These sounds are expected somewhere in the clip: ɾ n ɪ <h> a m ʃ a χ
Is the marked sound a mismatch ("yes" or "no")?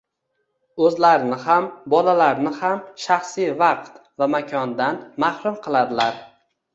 no